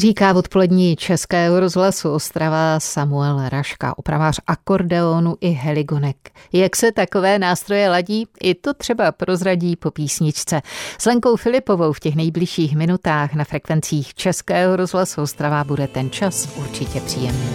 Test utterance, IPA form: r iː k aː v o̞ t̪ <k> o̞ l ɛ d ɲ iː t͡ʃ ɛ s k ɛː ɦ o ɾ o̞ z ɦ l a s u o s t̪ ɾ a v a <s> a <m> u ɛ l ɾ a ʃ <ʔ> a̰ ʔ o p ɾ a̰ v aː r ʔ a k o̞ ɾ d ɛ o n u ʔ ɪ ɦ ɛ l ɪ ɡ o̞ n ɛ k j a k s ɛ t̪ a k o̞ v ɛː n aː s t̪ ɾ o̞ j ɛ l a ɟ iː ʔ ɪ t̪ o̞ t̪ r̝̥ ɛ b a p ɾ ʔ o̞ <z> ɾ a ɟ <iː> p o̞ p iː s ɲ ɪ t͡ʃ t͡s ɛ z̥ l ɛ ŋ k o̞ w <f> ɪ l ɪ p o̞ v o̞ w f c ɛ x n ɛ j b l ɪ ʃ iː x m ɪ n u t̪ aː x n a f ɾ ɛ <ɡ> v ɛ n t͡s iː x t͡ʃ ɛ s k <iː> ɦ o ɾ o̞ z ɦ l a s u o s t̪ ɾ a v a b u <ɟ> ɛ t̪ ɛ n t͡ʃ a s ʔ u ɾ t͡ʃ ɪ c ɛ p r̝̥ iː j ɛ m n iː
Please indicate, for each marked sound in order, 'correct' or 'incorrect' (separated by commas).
incorrect, correct, correct, incorrect, correct, correct, correct, incorrect, incorrect, incorrect